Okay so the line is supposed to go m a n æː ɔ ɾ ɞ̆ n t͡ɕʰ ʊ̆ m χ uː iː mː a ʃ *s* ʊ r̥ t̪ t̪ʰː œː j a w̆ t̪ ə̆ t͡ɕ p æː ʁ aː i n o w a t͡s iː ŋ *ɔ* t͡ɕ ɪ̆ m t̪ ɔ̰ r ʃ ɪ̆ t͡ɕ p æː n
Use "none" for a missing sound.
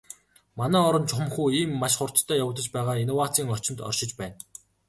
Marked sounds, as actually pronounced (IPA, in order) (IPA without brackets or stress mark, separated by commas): χ, ɔ